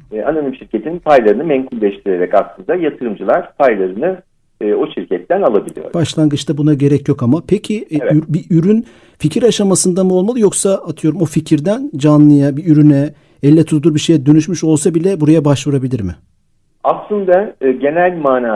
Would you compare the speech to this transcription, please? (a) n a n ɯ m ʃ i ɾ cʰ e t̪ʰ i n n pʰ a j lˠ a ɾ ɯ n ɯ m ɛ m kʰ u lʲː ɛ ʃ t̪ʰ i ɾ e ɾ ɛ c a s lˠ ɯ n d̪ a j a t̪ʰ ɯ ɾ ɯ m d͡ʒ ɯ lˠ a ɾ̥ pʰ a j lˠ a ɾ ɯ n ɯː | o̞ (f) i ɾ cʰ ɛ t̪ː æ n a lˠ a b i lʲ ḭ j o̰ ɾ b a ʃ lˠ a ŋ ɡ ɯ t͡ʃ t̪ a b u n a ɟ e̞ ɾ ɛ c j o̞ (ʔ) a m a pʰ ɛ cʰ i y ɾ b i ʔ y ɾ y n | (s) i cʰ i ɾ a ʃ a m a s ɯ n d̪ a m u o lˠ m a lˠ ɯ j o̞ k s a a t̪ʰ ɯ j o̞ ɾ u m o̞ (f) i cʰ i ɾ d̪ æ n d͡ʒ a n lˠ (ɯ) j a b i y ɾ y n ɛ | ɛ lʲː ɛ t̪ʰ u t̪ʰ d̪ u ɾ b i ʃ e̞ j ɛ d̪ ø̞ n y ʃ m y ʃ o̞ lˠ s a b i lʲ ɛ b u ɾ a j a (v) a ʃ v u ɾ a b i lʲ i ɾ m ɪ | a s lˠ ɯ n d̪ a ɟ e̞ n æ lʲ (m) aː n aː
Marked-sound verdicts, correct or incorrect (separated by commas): correct, incorrect, incorrect, incorrect, correct, correct, incorrect, correct